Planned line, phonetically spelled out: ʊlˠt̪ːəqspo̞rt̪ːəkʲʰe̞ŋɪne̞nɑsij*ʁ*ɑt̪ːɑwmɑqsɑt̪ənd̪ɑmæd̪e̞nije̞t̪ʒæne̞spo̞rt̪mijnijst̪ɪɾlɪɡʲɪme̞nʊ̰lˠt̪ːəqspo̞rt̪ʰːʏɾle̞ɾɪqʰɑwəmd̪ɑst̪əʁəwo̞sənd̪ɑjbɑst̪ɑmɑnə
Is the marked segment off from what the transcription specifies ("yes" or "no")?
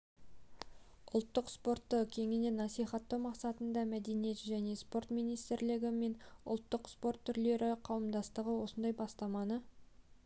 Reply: yes